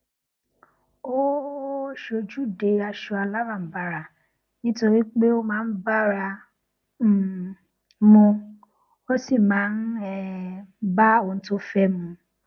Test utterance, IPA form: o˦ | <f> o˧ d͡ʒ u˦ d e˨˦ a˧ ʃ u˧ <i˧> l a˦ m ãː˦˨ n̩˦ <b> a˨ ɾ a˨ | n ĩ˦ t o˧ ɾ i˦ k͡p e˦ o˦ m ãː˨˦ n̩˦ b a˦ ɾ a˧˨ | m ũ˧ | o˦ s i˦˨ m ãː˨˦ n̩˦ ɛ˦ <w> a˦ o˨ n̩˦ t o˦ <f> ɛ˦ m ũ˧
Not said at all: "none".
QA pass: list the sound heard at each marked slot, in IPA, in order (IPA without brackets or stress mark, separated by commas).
ʃ, a˧, b, b, f